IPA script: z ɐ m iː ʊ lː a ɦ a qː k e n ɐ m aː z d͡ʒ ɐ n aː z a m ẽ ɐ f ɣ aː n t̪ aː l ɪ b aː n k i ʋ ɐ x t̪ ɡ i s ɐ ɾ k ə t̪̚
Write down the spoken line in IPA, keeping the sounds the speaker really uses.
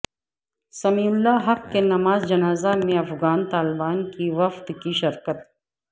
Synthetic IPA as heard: s ɐ m iː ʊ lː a ɦ ɐ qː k e n ɐ m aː z d͡ʒ ɐ n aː z a m ẽ ɐ f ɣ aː n t̪ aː l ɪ b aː n k i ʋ ɐ f t̪ k i ʃ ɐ ɾ k ə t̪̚